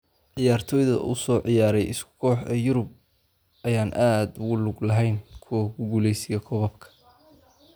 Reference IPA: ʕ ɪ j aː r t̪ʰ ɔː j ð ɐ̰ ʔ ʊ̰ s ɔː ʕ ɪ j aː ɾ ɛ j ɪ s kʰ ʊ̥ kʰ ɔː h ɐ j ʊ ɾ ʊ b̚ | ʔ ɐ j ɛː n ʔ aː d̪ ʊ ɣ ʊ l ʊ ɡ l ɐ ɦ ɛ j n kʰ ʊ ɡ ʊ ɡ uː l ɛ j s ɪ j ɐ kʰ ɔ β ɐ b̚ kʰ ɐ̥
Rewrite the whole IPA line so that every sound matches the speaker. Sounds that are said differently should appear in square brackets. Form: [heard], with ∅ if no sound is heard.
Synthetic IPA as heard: ʕ ɪ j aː r t̪ʰ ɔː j ð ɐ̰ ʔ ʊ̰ s ɔː ʕ ɪ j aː ɾ ɛ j ɪ s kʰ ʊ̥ kʰ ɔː [ħ] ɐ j ʊ ɾ ʊ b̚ | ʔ ɐ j [aː] n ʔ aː d̪ ʊ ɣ ʊ l ʊ ɡ l ɐ ɦ ɛ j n kʰ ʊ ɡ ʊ ɡ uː l ɛ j s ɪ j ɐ kʰ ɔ β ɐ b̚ kʰ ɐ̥

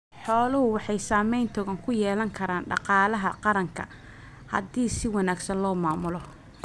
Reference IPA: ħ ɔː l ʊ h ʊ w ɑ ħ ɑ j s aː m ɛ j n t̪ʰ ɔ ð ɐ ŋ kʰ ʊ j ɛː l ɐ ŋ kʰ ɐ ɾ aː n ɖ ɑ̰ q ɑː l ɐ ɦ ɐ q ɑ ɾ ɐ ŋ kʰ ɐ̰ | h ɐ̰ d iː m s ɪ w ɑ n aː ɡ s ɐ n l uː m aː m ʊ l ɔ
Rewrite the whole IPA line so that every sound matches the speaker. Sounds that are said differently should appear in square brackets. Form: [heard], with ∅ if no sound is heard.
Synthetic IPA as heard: ħ ɔː l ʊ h ʊ w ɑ ħ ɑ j s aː m ɛ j n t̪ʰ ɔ [ɣ] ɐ ŋ kʰ ʊ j ɛː l ɐ ŋ kʰ ɐ ɾ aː n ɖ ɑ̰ q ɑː l ɐ ɦ ɐ q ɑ ɾ ɐ ŋ kʰ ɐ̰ | h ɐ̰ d iː [∅] s ɪ w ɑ n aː ɡ s ɐ n l [ɔː] m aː m ʊ l ɔ

